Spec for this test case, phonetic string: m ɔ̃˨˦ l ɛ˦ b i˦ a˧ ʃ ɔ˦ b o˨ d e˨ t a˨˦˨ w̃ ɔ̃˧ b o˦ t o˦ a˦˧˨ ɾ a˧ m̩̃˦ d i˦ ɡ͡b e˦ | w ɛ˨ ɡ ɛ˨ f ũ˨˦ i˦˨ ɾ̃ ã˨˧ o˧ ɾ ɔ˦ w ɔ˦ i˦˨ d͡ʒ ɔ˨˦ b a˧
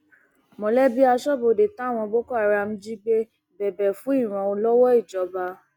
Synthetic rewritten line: m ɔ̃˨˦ l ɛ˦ b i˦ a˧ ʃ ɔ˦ b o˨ d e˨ t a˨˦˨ w̃ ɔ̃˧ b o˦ k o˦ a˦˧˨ ɾ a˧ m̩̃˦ d͡ʒ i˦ ɡ͡b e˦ | b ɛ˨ b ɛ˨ f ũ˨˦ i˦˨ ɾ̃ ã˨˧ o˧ l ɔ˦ w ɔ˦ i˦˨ d͡ʒ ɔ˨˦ b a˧